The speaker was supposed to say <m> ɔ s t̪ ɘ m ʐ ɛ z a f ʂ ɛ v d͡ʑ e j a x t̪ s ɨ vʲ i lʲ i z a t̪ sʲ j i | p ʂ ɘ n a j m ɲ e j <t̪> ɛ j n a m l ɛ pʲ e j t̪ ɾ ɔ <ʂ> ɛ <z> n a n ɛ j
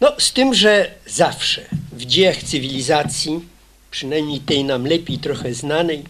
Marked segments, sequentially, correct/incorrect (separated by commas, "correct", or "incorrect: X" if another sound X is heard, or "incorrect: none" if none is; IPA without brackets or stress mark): incorrect: n, correct, incorrect: x, correct